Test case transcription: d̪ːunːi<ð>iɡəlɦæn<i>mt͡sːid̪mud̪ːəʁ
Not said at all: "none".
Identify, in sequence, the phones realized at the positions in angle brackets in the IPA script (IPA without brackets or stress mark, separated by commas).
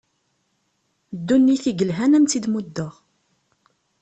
θ, æ